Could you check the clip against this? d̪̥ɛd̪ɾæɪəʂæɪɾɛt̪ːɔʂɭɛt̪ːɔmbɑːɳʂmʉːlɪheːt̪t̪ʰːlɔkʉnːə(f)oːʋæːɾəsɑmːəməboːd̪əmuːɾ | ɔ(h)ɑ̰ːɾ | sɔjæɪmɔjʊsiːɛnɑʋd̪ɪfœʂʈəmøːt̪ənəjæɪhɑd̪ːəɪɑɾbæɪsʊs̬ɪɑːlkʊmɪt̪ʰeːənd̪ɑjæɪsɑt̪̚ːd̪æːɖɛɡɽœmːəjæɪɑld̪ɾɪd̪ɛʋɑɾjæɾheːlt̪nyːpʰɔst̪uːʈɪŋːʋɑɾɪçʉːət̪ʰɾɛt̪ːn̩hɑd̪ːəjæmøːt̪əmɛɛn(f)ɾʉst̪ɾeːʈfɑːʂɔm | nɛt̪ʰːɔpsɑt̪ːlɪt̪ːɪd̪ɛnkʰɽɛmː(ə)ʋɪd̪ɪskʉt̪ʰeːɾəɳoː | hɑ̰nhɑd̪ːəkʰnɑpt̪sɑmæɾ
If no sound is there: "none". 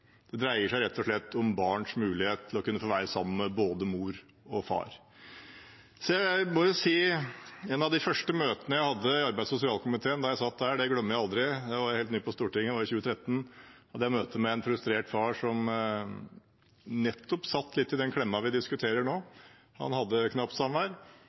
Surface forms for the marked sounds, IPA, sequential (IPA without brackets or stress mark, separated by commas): f, f, f, ɑ